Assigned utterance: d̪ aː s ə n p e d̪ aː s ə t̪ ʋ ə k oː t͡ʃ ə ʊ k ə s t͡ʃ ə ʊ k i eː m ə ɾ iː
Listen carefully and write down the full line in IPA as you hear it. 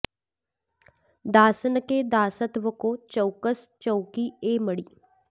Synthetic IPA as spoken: d̪ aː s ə n k e d̪ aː s ə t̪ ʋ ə k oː t͡ʃ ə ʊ k ə s t͡ʃ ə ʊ k i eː m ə ɽ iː